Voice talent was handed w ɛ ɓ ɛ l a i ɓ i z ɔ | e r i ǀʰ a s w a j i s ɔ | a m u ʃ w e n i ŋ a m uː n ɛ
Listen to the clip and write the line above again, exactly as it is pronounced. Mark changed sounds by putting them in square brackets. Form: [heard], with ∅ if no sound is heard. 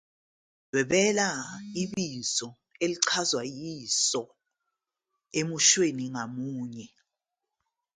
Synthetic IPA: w ɛ ɓ ɛ l a i ɓ i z ɔ | e [l] i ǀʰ a [z] w a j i s ɔ | [e] m u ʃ w e n i ŋ a m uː [ɲ] ɛ